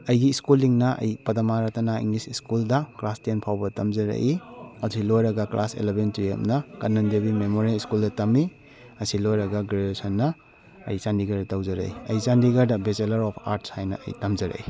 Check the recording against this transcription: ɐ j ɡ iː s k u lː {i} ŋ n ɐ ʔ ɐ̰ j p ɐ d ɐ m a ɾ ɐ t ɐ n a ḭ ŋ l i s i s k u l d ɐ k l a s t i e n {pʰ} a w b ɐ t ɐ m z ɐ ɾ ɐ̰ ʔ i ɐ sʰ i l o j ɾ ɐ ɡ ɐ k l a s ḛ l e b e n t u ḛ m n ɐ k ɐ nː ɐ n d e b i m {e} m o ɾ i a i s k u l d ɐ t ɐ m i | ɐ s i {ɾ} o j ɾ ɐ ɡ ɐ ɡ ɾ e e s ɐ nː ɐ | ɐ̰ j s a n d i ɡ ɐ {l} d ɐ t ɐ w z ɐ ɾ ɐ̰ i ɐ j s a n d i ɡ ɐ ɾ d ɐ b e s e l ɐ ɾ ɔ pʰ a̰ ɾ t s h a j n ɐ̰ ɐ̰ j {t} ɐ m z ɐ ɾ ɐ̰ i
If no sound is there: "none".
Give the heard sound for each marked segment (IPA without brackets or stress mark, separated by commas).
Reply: i, pʰ, e, l, ɾ, t